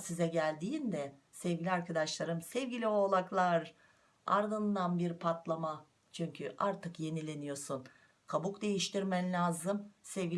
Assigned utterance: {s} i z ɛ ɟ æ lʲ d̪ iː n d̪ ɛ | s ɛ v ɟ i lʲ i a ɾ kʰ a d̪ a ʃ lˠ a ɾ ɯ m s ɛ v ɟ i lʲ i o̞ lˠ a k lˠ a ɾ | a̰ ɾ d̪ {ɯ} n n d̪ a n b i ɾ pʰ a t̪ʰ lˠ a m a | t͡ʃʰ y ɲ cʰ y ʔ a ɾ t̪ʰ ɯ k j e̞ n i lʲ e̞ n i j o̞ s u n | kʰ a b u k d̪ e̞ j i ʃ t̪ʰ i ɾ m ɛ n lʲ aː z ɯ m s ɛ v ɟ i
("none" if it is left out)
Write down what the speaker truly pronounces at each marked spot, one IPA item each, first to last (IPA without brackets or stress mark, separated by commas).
s, ɯ